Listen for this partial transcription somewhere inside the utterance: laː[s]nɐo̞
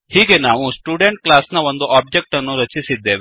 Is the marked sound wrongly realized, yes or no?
no